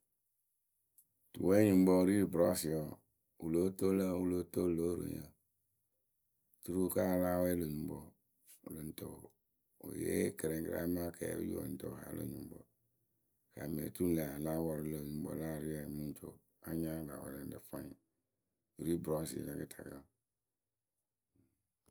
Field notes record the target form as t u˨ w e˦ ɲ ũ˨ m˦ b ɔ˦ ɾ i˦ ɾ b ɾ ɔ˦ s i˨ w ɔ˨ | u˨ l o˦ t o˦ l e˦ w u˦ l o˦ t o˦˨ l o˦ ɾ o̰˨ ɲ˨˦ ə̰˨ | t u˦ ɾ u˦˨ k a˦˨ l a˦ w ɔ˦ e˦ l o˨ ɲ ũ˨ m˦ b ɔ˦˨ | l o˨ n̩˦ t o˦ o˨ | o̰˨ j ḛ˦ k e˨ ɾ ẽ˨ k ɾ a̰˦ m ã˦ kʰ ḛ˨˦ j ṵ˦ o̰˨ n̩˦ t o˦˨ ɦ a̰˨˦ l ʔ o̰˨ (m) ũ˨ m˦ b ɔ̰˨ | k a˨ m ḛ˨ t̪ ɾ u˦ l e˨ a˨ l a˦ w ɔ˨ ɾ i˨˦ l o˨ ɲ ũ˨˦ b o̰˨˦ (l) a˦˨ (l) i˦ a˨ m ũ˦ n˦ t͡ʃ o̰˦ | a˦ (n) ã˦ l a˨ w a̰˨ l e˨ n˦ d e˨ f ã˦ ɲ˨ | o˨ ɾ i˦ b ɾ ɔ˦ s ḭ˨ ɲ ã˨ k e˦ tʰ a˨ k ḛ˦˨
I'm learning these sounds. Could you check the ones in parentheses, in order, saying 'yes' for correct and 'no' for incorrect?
no, yes, no, no

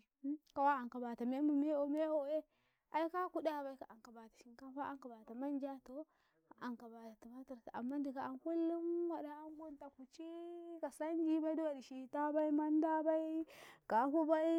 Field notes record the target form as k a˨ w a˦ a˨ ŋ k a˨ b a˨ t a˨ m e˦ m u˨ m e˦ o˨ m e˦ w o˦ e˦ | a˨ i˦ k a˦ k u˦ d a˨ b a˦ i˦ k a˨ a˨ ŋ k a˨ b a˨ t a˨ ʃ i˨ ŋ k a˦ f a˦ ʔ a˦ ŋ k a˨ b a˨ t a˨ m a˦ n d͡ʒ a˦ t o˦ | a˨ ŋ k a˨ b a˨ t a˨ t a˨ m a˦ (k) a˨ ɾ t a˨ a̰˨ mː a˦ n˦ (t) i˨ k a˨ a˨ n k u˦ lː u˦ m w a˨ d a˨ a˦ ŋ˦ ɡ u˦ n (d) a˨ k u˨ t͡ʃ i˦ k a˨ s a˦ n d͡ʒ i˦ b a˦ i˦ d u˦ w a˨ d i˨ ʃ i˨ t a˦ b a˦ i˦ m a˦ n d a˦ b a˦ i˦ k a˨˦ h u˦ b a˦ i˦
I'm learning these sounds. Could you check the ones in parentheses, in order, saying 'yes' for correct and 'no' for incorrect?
no, no, no

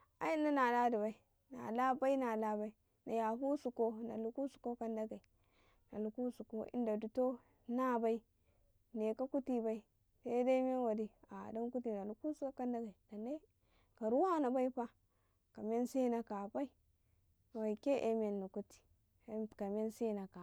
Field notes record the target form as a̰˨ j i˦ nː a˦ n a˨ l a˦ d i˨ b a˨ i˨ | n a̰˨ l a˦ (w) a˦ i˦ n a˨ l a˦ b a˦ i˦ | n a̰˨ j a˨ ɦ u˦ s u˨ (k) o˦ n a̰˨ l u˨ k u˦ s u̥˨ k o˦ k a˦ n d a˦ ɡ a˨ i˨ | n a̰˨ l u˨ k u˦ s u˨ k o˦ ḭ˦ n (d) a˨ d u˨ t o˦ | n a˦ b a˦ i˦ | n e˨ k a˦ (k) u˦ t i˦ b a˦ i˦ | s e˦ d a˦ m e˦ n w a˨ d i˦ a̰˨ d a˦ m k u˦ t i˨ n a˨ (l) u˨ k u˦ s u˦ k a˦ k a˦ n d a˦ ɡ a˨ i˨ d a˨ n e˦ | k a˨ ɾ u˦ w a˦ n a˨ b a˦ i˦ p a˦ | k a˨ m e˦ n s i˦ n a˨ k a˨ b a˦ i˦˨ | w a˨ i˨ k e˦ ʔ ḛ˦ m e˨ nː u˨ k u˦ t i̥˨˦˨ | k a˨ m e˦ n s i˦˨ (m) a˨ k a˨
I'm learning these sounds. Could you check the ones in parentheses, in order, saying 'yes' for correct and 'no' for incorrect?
no, yes, yes, yes, yes, no

